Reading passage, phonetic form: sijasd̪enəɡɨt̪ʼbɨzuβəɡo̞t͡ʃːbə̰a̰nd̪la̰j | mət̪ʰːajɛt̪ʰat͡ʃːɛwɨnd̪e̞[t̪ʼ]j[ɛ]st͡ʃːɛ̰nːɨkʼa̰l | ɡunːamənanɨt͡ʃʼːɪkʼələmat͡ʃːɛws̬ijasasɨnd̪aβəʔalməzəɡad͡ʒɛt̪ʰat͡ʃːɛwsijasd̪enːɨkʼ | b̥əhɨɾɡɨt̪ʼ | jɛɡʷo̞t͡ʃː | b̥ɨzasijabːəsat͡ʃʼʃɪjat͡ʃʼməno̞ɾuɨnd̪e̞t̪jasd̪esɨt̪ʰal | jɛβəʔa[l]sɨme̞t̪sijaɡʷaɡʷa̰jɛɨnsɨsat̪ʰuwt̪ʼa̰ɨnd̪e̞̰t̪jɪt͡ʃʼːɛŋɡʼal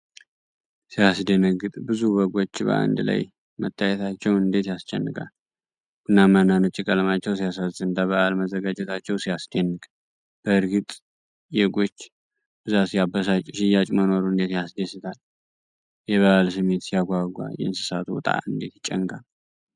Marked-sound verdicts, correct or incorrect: incorrect: t̪, incorrect: a, correct

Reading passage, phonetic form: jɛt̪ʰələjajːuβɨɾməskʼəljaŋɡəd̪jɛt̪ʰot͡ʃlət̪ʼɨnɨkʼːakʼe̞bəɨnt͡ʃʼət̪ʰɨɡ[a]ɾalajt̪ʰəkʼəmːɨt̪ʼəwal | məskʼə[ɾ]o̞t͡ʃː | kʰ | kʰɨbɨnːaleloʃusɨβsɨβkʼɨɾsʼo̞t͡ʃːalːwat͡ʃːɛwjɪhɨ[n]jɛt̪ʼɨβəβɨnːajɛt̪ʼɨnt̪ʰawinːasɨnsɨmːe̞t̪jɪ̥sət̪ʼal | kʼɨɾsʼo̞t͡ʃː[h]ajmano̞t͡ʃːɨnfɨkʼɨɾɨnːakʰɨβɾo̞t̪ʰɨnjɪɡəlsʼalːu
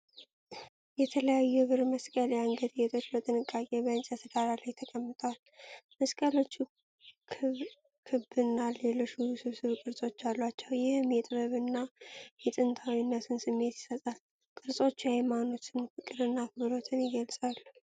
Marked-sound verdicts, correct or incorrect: correct, incorrect: l, incorrect: m, correct

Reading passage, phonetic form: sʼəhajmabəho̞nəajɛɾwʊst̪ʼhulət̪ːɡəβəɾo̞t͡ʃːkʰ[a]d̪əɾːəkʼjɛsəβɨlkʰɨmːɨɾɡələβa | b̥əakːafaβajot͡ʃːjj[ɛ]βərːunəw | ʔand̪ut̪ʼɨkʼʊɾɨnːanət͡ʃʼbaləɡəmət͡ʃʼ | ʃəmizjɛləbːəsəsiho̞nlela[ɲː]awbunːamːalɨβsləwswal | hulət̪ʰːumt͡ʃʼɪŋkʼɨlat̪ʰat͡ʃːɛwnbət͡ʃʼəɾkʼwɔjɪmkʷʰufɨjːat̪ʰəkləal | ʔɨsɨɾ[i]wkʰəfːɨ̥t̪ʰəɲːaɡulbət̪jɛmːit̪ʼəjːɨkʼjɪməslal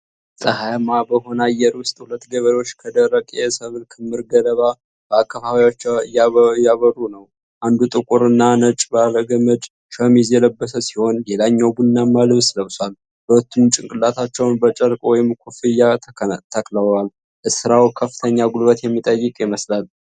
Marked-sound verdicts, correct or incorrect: incorrect: ə, incorrect: a, correct, incorrect: a

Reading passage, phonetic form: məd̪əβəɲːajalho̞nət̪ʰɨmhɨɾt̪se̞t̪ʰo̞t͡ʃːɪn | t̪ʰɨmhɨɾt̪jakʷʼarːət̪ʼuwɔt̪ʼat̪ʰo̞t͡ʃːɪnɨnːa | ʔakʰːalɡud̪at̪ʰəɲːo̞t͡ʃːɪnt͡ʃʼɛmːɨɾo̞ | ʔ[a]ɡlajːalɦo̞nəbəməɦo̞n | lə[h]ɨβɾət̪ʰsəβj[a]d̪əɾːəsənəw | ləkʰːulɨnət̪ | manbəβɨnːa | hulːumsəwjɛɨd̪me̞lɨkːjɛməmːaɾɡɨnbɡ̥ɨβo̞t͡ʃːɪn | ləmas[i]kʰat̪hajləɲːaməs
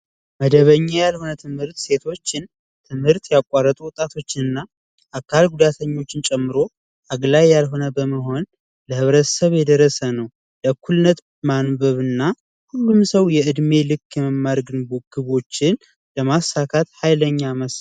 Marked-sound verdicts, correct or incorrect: correct, correct, incorrect: ɛ, incorrect: a

